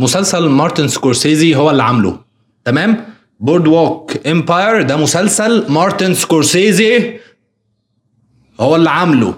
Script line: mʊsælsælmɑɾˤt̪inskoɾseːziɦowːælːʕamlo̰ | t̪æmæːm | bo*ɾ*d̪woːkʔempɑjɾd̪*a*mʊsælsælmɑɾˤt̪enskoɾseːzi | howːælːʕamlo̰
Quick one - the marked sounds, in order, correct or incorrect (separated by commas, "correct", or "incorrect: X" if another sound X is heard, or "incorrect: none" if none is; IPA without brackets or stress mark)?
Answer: correct, incorrect: æ